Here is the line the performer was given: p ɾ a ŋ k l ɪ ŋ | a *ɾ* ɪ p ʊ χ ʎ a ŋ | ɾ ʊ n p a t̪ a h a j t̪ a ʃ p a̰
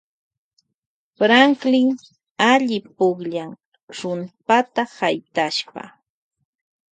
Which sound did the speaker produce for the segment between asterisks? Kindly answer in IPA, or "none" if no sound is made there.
ʎ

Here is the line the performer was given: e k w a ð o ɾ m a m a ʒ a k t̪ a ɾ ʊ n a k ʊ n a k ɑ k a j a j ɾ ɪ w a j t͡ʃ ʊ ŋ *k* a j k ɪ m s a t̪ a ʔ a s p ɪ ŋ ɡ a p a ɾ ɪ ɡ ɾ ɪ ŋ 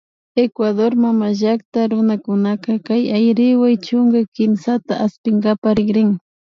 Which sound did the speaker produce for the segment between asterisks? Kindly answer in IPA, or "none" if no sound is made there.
ɡ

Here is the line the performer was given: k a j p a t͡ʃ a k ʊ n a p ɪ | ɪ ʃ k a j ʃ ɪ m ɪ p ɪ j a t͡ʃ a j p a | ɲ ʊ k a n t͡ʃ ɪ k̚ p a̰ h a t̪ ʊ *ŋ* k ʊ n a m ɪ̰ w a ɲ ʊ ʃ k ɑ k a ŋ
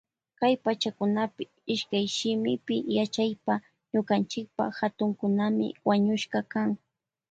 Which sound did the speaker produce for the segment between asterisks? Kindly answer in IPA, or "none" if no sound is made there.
ŋ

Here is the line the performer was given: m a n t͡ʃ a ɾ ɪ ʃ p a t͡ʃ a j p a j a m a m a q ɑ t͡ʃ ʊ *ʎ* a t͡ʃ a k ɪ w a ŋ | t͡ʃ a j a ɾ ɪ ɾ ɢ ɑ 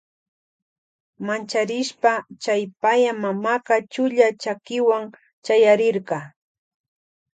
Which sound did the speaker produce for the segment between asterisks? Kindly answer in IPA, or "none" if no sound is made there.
ʎ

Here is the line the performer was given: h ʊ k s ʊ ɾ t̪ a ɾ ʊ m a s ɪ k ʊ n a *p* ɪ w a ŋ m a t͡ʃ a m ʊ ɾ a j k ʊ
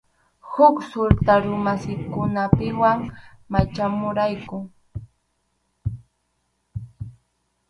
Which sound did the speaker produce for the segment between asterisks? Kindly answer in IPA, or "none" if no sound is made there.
p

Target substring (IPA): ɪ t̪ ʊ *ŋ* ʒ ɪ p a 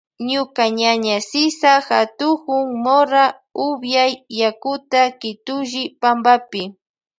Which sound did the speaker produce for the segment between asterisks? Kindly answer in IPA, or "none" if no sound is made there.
none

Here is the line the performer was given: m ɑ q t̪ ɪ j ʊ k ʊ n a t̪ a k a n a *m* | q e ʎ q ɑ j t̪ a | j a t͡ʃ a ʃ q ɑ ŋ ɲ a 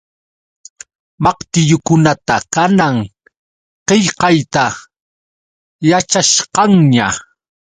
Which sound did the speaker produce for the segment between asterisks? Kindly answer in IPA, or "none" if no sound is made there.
ŋ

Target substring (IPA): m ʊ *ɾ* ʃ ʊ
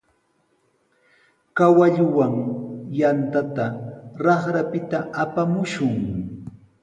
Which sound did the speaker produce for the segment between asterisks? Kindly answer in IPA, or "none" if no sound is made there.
none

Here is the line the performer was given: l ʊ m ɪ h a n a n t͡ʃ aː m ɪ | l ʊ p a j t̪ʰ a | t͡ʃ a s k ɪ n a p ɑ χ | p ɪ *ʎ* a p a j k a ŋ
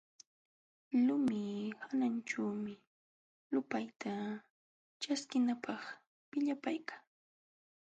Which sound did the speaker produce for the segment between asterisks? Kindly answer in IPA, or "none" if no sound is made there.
ʎ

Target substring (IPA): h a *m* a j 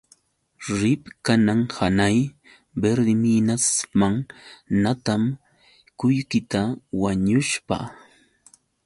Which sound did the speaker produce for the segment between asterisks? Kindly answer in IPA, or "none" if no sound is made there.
n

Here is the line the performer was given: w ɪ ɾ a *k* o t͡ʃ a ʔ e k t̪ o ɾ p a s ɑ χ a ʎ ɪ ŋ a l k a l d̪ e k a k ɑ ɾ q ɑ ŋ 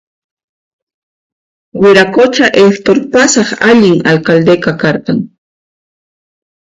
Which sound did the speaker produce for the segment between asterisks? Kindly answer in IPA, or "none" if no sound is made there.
k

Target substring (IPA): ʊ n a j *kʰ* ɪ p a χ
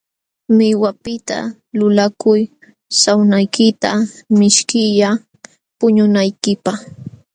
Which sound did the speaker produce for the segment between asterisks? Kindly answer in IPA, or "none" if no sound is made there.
k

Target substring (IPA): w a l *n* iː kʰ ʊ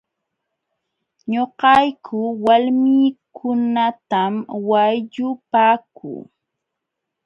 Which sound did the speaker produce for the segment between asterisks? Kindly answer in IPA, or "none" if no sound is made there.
m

